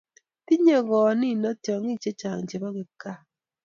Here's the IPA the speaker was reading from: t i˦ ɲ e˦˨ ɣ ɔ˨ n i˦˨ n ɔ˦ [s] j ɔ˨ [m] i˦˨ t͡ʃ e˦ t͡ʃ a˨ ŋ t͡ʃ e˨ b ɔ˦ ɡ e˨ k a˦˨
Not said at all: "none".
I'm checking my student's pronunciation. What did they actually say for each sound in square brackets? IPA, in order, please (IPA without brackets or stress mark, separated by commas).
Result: t, ŋ